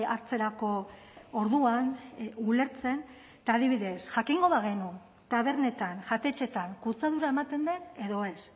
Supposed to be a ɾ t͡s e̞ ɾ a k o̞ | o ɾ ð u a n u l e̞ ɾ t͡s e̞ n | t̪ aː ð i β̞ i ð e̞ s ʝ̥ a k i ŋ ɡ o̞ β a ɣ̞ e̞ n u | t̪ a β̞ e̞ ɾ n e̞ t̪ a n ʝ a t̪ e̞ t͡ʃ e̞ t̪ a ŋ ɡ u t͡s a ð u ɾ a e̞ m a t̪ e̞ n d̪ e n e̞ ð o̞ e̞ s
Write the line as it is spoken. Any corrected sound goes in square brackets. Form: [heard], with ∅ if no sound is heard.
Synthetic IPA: a ɾ t͡s e̞ ɾ a k o̞ | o ɾ ð u a n u l e̞ ɾ t͡s e̞ n | t̪ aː ð i β̞ i ð e̞ s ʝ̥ a k i ŋ ɡ o̞ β a ɣ̞ e̞ n u | t̪ a β̞ e̞ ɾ n e̞ t̪ a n ʝ a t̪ e̞ t͡ʃ e̞ t̪ a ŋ [k] u t͡s a ð u ɾ a e̞ m a t̪ e̞ n d̪ e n e̞ ð o̞ e̞ s